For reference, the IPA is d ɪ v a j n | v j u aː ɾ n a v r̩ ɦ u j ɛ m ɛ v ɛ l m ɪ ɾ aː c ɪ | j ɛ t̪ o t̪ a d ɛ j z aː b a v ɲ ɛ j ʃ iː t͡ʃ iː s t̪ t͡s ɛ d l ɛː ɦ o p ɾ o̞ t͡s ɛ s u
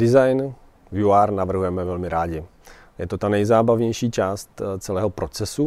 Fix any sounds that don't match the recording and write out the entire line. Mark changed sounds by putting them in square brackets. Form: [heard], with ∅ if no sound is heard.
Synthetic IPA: d ɪ [z] a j n | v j u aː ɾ n a v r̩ ɦ u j ɛ m ɛ v ɛ l m ɪ ɾ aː [ɟ] ɪ | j ɛ t̪ o t̪ a [n] ɛ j z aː b a v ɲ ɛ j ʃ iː t͡ʃ [aː] s t̪ t͡s ɛ [∅] l ɛː ɦ o p ɾ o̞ t͡s ɛ s u